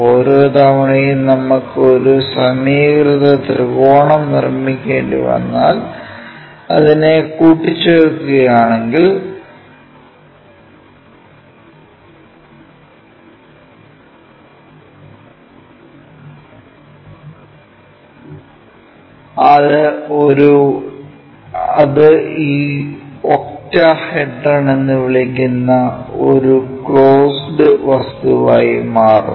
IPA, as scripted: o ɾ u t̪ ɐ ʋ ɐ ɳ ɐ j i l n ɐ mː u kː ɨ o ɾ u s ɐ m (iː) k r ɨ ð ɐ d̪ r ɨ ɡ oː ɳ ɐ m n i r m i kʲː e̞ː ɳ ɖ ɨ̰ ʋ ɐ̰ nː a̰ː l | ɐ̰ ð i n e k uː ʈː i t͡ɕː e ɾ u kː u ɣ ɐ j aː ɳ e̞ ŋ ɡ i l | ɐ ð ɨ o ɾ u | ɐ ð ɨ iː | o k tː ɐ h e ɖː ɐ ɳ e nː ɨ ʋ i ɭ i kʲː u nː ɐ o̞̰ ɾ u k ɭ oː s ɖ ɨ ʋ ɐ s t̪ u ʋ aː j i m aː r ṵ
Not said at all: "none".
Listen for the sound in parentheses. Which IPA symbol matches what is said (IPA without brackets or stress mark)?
iː